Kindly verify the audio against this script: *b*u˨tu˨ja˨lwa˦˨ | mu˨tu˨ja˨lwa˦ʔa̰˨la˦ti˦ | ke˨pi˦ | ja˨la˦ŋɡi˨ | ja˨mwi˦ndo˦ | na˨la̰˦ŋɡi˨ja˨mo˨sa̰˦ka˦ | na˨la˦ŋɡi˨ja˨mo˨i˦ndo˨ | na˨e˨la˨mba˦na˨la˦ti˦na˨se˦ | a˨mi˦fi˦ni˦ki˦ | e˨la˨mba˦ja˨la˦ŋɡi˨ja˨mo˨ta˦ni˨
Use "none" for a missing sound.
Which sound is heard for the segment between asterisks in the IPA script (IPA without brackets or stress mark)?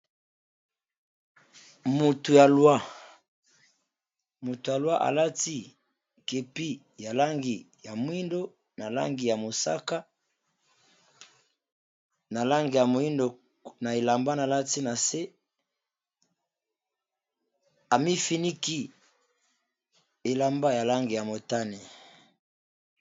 m